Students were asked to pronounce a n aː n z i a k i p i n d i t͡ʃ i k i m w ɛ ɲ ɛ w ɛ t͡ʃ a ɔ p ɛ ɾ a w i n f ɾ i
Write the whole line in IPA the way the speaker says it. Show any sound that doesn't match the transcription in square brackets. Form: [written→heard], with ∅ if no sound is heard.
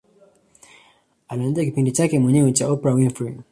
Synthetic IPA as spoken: a n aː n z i a k i p i n d i t͡ʃ [i→a] k [i→ɛ] m w ɛ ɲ ɛ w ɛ t͡ʃ a ɔ p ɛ ɾ a w i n f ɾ i